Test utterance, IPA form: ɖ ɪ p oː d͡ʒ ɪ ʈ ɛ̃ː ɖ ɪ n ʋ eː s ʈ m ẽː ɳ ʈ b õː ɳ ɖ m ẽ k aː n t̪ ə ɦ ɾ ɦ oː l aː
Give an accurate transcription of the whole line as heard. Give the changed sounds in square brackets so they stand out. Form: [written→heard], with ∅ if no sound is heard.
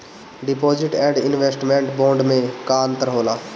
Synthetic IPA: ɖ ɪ p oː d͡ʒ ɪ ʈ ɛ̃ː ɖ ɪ n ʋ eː s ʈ m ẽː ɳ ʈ b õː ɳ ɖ m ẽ k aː n t̪ ə [ɦ→∅] ɾ ɦ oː l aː